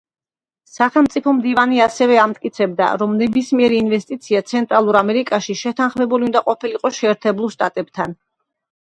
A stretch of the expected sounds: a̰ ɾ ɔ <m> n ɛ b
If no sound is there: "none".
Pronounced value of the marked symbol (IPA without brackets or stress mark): m